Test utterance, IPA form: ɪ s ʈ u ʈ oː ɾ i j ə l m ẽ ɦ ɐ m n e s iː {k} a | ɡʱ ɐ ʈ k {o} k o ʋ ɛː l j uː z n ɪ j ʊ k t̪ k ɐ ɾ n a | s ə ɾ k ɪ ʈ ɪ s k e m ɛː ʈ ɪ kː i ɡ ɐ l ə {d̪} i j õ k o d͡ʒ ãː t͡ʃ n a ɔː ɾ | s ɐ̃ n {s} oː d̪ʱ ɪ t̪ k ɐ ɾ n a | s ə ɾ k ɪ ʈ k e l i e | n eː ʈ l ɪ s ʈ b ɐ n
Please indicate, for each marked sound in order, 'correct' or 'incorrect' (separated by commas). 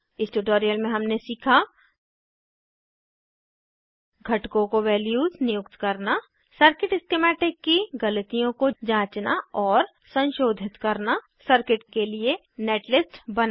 incorrect, incorrect, incorrect, incorrect